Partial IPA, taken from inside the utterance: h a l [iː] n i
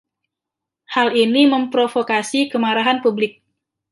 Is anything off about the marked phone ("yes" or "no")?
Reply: yes